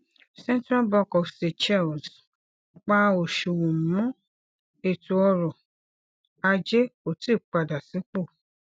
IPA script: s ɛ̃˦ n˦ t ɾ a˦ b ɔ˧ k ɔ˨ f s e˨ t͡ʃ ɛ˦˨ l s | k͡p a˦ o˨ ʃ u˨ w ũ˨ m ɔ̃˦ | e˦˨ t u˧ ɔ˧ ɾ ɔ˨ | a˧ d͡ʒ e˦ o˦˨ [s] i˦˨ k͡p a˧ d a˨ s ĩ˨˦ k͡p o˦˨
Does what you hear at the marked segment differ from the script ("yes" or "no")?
yes